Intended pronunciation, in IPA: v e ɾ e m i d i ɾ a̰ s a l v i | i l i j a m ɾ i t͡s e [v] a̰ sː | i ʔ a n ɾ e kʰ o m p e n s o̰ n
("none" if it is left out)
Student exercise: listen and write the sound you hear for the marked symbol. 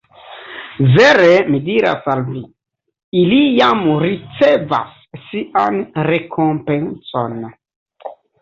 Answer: v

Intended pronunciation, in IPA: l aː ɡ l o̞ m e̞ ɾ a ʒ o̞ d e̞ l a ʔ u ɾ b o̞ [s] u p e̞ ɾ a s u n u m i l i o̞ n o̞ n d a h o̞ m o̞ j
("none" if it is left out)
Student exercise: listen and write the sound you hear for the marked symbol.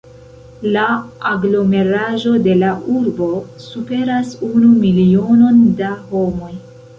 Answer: s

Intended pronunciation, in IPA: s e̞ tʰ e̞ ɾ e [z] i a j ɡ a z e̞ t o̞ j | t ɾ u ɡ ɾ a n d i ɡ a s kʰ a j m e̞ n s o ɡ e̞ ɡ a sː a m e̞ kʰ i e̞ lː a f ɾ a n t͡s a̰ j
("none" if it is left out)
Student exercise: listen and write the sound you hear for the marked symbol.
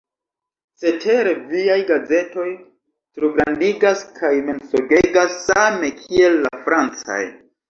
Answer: v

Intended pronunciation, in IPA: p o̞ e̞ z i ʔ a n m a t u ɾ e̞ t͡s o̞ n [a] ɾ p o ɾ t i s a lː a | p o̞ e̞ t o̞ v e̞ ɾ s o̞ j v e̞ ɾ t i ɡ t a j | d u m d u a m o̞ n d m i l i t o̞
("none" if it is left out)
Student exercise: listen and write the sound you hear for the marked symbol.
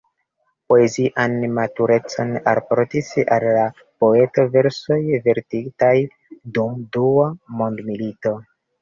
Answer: a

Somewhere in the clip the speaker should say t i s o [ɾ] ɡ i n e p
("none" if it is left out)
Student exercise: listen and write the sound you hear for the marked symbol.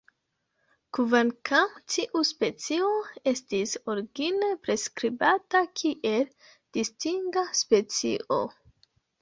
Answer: ɾ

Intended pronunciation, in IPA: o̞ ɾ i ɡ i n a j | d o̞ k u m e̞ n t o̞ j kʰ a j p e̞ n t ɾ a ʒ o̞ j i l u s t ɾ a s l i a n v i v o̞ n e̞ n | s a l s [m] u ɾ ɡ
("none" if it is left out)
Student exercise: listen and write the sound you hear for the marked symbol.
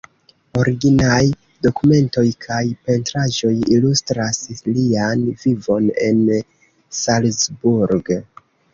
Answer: b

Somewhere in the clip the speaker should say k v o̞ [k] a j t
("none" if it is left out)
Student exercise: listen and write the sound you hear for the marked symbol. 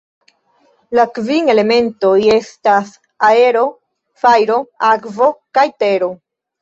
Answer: k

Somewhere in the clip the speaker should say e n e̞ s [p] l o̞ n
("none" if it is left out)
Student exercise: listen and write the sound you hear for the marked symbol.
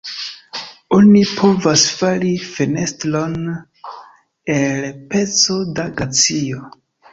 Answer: t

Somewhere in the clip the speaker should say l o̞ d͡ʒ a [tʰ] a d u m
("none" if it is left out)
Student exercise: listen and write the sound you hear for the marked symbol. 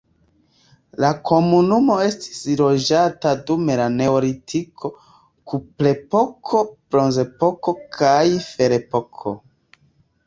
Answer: t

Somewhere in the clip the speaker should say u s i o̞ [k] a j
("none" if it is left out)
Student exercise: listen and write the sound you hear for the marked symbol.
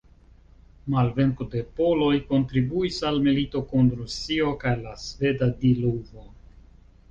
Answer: k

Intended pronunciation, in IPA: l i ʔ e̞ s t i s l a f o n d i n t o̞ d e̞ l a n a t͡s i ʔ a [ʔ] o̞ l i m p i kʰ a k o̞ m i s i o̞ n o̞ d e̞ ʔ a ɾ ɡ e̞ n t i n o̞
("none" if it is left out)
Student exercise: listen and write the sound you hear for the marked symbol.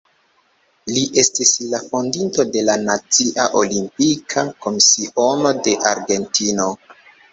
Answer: ʔ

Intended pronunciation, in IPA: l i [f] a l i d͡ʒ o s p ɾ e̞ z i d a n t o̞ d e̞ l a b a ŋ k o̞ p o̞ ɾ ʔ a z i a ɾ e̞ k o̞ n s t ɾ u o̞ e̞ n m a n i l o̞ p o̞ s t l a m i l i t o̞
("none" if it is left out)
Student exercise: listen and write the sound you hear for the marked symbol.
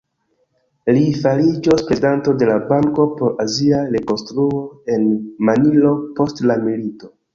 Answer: f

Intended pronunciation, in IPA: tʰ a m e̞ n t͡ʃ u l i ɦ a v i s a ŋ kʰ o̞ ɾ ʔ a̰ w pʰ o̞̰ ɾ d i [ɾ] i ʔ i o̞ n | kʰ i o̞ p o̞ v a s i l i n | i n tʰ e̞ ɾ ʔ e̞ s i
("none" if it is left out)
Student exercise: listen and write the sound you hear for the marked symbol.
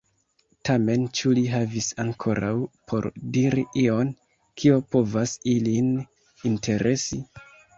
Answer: ɾ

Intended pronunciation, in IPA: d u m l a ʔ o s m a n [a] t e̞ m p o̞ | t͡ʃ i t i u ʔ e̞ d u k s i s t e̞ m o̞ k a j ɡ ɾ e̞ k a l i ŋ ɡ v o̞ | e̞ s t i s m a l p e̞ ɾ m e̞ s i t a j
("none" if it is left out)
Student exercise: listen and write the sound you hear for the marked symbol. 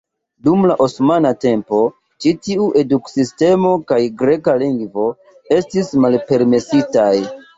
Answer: a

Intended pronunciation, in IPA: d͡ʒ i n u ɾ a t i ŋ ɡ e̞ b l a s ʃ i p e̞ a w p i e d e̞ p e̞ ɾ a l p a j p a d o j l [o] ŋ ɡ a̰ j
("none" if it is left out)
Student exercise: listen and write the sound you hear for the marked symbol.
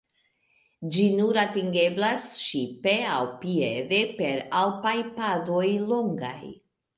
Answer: o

